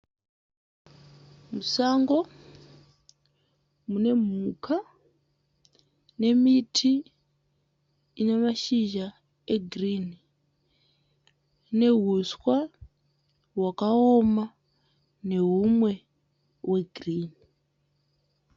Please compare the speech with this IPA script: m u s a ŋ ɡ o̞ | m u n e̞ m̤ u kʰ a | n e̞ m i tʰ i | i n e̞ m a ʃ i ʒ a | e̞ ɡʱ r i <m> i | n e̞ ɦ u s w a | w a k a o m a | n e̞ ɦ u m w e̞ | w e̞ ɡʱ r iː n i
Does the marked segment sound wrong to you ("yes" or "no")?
yes